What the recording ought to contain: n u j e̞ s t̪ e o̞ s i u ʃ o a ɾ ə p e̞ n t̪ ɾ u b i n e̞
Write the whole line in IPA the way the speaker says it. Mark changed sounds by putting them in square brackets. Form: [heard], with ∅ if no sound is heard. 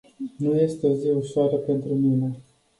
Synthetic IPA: n u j e̞ s t̪ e o̞ [z] i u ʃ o a ɾ ə p e̞ n t̪ ɾ u [m] i n e̞